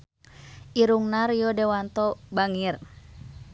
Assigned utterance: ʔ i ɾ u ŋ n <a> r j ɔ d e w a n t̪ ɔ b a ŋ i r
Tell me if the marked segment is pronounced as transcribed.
yes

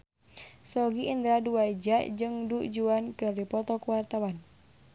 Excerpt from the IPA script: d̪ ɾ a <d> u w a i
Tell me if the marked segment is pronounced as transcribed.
yes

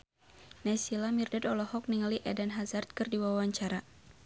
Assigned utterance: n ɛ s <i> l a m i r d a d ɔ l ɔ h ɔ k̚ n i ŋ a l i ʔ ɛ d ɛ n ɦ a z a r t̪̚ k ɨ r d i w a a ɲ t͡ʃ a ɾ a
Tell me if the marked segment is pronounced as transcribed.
yes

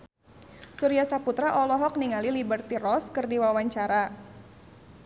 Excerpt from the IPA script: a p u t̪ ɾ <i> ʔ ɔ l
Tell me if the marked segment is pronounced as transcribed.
no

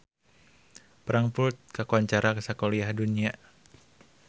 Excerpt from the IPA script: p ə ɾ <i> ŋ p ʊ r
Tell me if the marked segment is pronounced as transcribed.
no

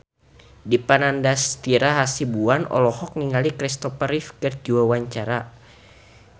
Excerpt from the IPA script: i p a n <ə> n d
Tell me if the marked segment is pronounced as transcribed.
no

